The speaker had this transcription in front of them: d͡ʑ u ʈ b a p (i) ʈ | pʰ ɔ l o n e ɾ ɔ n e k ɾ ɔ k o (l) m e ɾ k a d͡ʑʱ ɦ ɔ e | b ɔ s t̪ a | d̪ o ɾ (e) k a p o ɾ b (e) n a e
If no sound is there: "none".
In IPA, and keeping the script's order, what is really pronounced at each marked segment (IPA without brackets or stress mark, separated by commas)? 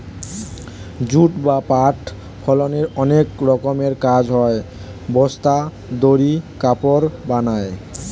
a, none, i, a